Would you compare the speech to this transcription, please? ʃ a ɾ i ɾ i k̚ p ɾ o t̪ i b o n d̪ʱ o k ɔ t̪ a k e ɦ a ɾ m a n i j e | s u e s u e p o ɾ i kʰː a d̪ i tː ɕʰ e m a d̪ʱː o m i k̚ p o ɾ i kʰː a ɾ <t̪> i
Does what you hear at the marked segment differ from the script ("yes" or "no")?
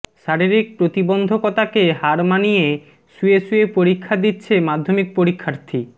yes